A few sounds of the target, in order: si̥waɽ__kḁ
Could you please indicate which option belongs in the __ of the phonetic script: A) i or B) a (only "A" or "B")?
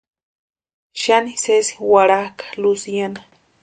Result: B